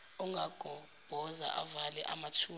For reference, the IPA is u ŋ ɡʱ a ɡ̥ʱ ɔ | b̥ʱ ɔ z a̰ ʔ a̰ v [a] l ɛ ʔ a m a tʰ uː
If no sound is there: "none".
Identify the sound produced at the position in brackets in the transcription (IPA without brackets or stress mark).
a